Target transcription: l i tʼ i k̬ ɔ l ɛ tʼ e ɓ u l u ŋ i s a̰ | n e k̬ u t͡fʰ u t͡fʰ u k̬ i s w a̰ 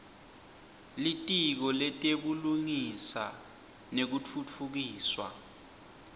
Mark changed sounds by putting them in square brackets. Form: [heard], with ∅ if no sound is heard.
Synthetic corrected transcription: l i tʼ i k̬ ɔ l ɛ tʼ e ɓ u l u ŋ i s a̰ | n e k̬ u t͡fʰ u t͡fʰ u k̬ [iː] s w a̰